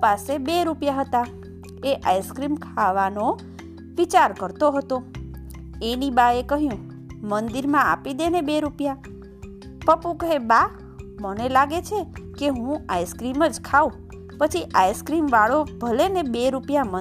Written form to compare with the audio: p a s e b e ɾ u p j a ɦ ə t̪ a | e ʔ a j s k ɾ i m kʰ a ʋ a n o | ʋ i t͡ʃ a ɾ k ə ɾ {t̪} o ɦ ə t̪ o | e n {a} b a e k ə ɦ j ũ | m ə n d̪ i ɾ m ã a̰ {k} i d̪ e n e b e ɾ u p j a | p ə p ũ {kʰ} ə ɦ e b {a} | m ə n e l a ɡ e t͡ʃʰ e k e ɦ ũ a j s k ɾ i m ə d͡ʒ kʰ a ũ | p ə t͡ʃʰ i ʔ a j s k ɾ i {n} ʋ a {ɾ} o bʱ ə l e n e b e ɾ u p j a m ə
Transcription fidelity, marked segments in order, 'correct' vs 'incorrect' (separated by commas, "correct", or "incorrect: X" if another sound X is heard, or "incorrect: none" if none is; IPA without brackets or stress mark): correct, incorrect: i, incorrect: p, incorrect: k, correct, incorrect: m, incorrect: ɭ